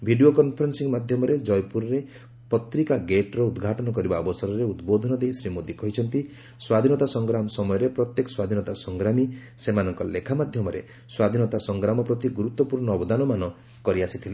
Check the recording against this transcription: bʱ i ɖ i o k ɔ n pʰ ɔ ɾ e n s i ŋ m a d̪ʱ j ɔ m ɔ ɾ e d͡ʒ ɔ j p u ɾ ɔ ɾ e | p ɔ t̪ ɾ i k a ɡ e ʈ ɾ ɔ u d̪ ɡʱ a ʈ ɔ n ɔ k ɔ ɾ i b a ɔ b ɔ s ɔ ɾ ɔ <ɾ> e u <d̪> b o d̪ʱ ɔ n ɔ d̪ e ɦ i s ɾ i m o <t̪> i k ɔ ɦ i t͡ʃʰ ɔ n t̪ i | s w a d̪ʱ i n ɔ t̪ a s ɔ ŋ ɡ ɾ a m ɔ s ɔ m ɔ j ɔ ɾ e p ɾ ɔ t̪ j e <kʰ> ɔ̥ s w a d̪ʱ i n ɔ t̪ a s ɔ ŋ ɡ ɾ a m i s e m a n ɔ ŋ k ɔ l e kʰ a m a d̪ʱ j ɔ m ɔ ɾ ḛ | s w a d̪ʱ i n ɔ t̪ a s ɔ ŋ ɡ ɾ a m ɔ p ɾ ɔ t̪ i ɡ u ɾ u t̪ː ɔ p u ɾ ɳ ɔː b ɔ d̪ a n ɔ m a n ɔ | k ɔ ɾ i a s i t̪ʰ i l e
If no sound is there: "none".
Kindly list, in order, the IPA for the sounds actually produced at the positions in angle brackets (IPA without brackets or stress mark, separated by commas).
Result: ɾ, d̪, d̪, k